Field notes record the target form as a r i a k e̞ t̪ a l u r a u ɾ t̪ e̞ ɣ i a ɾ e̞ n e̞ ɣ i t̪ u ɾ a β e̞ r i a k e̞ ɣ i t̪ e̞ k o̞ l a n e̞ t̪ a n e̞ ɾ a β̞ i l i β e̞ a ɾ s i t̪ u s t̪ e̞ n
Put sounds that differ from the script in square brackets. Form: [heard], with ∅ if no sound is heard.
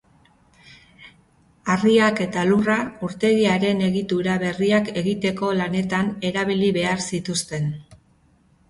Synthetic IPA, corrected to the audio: a r i a k e̞ t̪ a l u r a u ɾ t̪ e̞ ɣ i a ɾ e̞ n e̞ ɣ i t̪ u ɾ a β e̞ r i a k e̞ ɣ i t̪ e̞ k o̞ l a n e̞ t̪ a n e̞ ɾ a β̞ i l i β e̞ a ɾ s i t̪ u s t̪ e̞ n